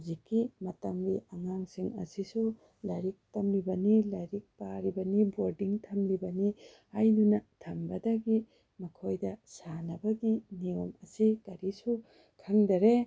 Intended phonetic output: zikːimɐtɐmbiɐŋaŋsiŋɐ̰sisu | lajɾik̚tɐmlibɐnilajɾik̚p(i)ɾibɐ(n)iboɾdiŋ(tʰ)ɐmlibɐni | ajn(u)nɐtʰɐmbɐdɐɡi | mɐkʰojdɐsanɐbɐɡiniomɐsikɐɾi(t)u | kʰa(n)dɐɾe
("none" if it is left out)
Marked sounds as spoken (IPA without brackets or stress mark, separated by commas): a, n, tʰ, u, s, ŋ